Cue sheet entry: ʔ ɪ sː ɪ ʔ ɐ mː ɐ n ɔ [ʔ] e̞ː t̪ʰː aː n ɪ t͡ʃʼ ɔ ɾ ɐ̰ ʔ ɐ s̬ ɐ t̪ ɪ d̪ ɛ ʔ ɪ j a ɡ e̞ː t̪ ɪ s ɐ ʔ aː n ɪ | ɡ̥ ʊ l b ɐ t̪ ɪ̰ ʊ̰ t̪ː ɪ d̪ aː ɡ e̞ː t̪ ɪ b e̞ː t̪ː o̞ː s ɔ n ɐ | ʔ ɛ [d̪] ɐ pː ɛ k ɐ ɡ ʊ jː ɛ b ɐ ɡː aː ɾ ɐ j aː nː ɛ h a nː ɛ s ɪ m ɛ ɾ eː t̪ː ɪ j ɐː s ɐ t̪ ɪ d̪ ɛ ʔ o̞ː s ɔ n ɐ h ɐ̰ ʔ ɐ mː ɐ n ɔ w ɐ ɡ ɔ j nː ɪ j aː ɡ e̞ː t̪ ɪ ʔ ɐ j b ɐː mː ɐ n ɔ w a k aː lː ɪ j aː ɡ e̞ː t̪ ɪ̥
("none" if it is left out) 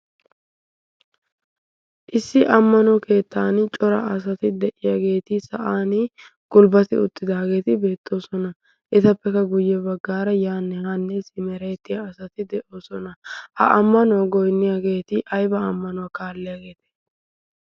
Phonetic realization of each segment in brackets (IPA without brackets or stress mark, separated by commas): k, t̪